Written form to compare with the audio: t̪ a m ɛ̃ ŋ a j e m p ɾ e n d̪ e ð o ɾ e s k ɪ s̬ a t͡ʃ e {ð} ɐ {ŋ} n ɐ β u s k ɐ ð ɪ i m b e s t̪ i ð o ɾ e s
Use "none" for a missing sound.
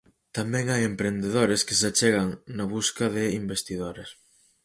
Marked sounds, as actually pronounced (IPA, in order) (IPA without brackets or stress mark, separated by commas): ɣ, ŋ